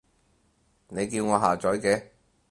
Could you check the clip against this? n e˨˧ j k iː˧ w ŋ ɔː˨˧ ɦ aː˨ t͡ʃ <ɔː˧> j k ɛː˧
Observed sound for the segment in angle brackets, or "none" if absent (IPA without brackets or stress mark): ɔː˨˥